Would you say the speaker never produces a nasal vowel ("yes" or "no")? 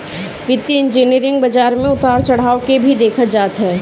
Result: no